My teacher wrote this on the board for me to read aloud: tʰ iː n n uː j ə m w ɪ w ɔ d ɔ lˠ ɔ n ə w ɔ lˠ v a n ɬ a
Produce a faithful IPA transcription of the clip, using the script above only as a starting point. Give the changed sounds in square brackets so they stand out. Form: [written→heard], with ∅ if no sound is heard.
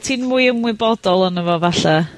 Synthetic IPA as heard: tʰ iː n [n→m] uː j ə m w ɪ [w→b] ɔ d ɔ lˠ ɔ n ə [w→v] ɔ [lˠ→∅] v a [n→∅] ɬ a

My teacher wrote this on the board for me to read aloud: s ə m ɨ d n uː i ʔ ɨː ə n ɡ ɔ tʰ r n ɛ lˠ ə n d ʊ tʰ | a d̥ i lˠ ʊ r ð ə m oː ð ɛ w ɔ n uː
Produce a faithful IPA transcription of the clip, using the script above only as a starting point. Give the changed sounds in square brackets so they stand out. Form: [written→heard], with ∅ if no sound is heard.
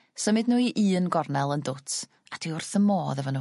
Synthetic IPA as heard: s ə m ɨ d n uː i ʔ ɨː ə n ɡ ɔ [tʰ→∅] r n ɛ lˠ ə n d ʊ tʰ | a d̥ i [lˠ→∅] ʊ r [ð→θ] ə m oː ð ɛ [w→v] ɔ n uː

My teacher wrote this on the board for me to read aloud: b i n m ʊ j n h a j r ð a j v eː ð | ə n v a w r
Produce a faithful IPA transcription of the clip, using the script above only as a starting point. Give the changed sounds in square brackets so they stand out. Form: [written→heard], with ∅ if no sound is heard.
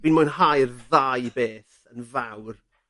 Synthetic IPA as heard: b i n m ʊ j n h a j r ð a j [v→b] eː [ð→θ] | ə n v a w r

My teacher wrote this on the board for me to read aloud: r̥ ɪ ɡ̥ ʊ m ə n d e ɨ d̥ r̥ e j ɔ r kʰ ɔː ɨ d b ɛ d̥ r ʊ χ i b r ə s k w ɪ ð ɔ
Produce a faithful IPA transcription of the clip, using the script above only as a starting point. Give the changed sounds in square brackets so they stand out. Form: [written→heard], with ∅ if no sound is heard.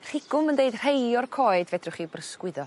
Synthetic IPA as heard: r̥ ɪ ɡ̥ ʊ m ə n d e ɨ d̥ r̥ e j ɔ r kʰ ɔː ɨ d [b→v] ɛ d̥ r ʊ χ i b r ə s k w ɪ ð ɔ

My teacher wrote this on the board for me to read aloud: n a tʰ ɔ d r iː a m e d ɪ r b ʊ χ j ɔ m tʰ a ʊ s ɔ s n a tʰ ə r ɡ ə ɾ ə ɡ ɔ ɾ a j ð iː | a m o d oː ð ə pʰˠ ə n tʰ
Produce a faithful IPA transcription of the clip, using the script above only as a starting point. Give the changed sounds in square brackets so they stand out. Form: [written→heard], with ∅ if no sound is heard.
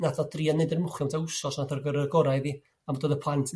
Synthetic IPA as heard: n a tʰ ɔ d r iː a [m→n] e d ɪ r [b→m] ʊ χ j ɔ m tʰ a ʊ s ɔ s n a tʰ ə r ɡ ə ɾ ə ɡ ɔ ɾ a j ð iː | a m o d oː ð ə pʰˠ [ə→a] n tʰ

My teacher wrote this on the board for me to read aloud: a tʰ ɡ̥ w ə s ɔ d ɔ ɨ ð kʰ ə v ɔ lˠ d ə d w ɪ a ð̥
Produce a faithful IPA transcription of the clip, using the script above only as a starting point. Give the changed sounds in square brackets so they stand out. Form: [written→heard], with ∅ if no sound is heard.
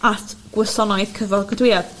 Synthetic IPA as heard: a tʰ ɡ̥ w ə s ɔ [d→n] ɔ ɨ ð kʰ ə v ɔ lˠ [d→ɡ] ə d w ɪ a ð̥

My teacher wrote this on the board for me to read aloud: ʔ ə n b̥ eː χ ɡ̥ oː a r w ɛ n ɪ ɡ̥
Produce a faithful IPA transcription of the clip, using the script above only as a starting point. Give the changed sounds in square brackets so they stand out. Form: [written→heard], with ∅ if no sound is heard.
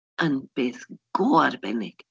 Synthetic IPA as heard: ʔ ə n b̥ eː [χ→θ] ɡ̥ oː a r [w→b] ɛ n ɪ ɡ̥

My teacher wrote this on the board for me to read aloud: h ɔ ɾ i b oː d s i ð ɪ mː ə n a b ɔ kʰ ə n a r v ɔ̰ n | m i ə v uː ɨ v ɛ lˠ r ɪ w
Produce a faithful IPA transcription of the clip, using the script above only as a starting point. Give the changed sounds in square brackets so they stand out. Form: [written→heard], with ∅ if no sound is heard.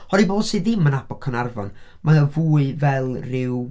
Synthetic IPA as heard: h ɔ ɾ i b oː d s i ð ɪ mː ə n a b ɔ kʰ ə n a r v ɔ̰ n | m [i→a] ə v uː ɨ v ɛ lˠ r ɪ w

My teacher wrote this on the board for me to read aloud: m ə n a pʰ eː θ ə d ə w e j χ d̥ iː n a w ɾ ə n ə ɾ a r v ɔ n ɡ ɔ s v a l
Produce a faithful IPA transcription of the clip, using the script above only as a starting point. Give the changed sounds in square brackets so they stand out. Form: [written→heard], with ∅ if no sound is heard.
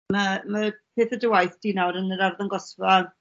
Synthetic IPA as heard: m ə [n→m] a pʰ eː θ ə d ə w [e→a] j [χ→θ] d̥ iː n a w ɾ ə n ə ɾ a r [v→ð] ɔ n ɡ ɔ s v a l

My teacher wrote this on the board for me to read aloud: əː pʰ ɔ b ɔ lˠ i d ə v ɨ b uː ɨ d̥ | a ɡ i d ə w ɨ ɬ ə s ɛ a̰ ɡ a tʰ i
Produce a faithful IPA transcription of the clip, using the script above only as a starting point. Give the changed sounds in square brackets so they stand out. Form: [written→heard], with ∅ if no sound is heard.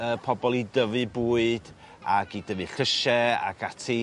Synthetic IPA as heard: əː pʰ ɔ b ɔ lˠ i d ə v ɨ b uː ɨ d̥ | a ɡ i d ə [w→v] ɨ ɬ ə [s→ʃ] ɛ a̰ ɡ a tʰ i

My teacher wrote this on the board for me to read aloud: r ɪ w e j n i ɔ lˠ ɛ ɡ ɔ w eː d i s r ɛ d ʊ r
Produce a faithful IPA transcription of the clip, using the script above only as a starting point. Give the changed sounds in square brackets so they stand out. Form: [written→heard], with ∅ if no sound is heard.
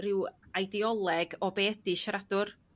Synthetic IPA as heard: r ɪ w [e→a] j [n→d] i ɔ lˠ ɛ ɡ ɔ [w→b] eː d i [s→ʃ] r [ɛ→a] d ʊ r

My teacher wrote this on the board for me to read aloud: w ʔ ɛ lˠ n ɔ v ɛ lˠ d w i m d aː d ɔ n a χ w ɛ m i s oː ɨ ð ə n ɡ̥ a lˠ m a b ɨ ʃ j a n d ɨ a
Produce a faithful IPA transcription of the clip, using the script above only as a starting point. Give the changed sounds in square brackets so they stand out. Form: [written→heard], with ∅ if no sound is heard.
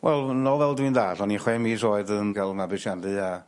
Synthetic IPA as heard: w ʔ ɛ lˠ n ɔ v ɛ lˠ d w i [m→n] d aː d ɔ n [a→i] χ w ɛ m i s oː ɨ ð ə n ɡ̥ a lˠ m a b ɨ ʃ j a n d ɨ a

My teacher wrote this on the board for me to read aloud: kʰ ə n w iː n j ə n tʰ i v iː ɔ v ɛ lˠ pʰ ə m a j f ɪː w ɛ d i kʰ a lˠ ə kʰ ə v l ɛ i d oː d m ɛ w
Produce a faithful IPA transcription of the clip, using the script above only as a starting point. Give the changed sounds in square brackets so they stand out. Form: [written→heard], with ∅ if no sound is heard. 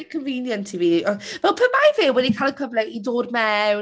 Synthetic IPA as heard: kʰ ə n [w→v] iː n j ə n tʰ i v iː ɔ v ɛ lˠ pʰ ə m a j [f→v] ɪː w ɛ d i kʰ a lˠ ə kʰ ə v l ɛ i d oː d m ɛ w

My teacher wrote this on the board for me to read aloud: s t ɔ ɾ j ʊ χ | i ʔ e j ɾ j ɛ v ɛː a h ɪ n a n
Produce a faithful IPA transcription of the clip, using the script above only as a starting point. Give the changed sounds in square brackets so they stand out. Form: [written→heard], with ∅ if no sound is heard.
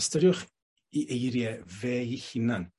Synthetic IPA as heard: s t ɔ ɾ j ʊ χ | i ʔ e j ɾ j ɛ v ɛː [a→i] h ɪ n a n

